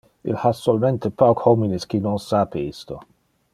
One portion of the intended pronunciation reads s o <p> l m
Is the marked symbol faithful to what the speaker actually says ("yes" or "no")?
no